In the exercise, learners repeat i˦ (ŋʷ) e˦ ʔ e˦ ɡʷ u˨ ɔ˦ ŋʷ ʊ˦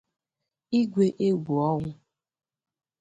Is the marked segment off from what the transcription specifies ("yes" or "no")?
yes